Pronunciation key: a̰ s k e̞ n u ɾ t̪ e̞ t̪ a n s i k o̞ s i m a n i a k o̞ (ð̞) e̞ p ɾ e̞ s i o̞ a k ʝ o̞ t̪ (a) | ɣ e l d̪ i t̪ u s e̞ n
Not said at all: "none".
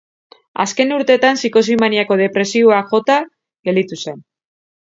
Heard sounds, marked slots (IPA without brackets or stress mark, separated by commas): ð̞, a